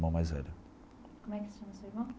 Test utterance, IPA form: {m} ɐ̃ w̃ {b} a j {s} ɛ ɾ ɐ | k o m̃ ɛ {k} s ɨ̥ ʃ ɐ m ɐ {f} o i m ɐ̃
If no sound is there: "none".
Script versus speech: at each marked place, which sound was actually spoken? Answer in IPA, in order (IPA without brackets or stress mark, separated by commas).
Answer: m, m, z, k, s